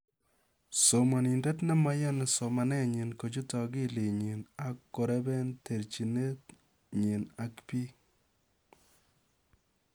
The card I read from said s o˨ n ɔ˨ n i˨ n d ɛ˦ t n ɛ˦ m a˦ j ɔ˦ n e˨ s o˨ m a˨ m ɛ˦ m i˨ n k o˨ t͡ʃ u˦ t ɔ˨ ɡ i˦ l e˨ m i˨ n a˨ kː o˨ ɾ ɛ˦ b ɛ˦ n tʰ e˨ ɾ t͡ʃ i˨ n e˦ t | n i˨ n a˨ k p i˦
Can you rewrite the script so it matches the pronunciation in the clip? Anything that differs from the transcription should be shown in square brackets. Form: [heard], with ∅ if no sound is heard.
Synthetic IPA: s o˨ [m] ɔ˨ n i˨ n d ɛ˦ t n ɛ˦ m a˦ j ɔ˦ n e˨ s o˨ m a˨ [n] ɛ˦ [ɲ] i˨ n k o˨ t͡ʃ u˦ t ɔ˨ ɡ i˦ l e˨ [ɲ] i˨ n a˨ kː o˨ ɾ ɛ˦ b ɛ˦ n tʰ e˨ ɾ t͡ʃ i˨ n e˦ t | [ɲ] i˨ n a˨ k p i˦